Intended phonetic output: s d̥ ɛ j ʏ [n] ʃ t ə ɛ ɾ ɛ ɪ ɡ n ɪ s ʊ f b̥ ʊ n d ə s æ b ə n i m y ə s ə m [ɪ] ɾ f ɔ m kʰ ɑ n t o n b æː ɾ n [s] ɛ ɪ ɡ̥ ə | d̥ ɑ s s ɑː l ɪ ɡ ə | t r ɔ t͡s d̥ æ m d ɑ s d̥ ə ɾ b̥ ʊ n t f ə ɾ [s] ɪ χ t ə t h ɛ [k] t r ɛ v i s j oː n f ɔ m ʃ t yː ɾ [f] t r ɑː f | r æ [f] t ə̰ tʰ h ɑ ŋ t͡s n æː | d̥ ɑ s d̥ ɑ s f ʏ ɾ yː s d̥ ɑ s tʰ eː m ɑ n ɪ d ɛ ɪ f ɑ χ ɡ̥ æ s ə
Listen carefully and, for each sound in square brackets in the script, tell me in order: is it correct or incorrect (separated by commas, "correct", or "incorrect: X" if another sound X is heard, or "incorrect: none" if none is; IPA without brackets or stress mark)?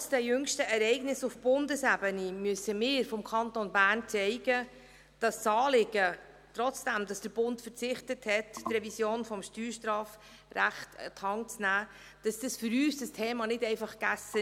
incorrect: ŋ, incorrect: ɪː, incorrect: t͡s, incorrect: t͡s, incorrect: t, incorrect: ʃ, incorrect: χ